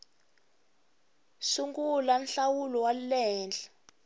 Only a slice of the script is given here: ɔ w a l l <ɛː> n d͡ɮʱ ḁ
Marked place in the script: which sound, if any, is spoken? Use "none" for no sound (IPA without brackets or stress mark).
ɛː